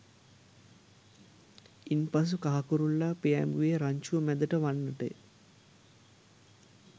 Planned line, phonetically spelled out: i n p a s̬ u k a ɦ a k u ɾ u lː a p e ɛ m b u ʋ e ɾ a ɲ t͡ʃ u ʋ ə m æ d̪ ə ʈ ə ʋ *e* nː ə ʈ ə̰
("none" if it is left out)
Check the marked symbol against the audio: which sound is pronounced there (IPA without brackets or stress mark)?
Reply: a